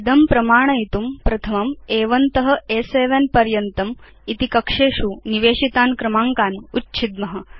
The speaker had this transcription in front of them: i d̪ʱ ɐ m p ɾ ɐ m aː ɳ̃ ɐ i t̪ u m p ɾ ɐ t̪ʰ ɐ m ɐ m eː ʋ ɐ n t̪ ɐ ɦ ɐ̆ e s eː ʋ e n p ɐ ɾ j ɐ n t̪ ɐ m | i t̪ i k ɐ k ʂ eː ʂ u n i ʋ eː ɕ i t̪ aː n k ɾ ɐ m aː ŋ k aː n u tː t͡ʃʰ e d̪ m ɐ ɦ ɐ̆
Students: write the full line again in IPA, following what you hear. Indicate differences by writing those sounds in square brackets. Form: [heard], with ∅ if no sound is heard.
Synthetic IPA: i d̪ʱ ɐ m p ɾ ɐ m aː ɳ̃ ɐ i t̪ u m p ɾ ɐ t̪ʰ ɐ m ɐ m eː ʋ ɐ n t̪ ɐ ɦ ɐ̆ e s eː ʋ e n p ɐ ɾ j ɐ n t̪ ɐ m | i t̪ i k ɐ k ʂ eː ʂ u n i ʋ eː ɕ i t̪ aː n k ɾ ɐ m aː ŋ k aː n u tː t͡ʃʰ [i] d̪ m ɐ ɦ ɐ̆